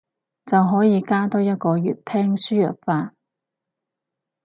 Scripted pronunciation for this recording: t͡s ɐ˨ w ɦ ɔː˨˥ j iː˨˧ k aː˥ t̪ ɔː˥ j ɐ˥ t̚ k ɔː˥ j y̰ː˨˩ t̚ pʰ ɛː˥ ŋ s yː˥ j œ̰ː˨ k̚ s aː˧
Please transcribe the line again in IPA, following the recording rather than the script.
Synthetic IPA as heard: t͡s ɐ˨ w ɦ ɔː˨˥ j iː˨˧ k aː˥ t̪ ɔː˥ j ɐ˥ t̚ k ɔː˧ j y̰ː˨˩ t̚ pʰ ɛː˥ ŋ s yː˥ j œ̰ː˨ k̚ f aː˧